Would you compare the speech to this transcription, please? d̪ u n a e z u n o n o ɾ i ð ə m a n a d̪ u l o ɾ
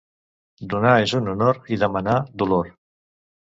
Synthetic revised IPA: d̪ u n a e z u n u n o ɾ i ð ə m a n a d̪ u l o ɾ